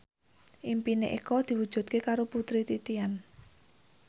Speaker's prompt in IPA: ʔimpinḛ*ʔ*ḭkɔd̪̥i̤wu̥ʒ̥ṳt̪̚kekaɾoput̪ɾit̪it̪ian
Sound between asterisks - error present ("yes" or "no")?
no